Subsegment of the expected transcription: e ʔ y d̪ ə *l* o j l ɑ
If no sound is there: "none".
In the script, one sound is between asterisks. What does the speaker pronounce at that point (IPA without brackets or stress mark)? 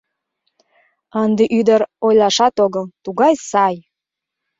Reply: ɾ